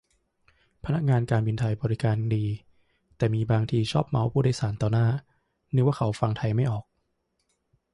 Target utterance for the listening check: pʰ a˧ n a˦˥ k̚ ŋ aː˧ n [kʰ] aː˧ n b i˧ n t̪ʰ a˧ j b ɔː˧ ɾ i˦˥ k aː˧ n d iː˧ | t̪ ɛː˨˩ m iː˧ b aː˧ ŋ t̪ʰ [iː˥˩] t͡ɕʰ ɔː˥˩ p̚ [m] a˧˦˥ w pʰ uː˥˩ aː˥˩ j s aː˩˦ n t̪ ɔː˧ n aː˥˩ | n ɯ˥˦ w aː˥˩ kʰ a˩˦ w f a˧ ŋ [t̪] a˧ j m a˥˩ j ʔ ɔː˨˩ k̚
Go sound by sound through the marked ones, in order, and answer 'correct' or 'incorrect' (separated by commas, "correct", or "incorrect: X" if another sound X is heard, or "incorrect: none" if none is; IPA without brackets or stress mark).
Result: incorrect: k, incorrect: iː˧, correct, incorrect: t̪ʰ